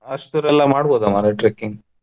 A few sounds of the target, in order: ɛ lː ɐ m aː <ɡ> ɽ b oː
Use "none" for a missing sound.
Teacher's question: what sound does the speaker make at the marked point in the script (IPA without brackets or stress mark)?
none